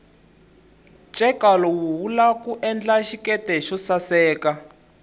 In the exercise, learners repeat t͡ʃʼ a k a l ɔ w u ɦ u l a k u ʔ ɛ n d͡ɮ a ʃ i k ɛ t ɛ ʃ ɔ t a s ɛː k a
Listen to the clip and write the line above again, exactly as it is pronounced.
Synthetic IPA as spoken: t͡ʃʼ ɛ k a l ɔ w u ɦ u l a k u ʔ ɛ n d͡ɮ a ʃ i k ɛ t ɛ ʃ ɔ s a s ɛː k a